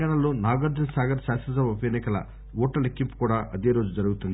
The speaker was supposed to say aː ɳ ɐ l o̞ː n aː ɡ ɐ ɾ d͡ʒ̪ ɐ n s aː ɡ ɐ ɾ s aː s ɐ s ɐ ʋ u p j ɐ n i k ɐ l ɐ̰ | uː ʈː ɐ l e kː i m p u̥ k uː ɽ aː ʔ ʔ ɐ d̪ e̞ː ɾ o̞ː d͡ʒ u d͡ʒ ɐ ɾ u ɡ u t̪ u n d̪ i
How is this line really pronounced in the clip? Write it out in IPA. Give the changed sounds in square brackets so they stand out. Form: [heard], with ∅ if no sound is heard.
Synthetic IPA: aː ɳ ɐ l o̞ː n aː ɡ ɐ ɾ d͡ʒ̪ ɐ n s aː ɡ ɐ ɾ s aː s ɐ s ɐ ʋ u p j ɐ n i k ɐ l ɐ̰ | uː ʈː ɐ l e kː i m p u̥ k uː ɽ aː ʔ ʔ ɐ d̪ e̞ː ɾ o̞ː d͡ʒ u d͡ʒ ɐ ɾ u ɡ u t̪ u n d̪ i